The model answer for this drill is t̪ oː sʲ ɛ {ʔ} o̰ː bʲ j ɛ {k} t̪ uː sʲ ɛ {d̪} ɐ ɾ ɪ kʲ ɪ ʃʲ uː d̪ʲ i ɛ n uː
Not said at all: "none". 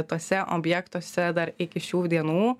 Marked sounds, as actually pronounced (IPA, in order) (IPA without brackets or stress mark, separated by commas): ʔ, k, d̪